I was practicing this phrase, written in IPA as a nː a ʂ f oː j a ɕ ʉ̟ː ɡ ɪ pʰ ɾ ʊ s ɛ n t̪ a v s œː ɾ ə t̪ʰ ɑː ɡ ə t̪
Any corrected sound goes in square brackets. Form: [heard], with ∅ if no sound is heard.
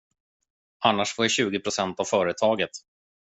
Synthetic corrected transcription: a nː a ʂ f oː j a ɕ ʉ̟ː ɡ ɪ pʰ ɾ ʊ s ɛ n t̪ a v [f] œː ɾ ə t̪ʰ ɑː ɡ ə t̪